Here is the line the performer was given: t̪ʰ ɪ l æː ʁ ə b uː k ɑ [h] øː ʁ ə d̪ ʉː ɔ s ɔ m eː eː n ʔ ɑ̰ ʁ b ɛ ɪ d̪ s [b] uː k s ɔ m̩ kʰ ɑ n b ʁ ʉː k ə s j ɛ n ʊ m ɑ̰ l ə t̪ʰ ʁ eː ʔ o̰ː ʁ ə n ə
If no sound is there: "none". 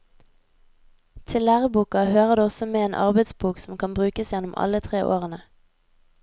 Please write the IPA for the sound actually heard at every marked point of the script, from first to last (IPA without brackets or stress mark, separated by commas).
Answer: h, b